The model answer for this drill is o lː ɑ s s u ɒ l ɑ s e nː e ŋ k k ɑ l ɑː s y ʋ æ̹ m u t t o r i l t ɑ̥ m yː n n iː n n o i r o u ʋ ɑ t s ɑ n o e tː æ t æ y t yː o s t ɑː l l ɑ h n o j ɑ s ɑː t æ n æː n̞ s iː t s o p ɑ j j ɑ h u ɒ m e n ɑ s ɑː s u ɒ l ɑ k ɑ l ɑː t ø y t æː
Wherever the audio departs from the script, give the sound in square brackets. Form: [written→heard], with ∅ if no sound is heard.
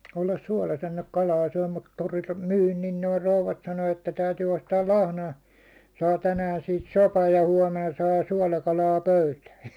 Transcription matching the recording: o lː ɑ s s u ɒ l ɑ s e nː e ŋ k k ɑ l ɑː s y [ʋ→∅] æ̹ m u t t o r i l t ɑ̥ m yː n n iː n n o i r o u ʋ ɑ t s ɑ n o e tː æ t æ y t yː o s t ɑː l l ɑ h n o j ɑ s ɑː t æ n æː n̞ s iː t s o p ɑ j j ɑ h u ɒ m e n ɑ s ɑː s u ɒ l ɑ k ɑ l ɑː [t→p] ø y t æː